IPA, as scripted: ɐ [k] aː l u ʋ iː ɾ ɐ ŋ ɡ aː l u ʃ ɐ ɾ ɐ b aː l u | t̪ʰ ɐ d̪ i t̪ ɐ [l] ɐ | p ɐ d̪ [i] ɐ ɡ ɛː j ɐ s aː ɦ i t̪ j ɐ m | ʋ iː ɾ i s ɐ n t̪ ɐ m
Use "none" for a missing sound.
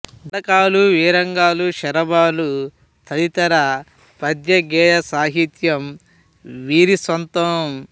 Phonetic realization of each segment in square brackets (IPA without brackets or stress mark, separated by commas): k, ɾ, j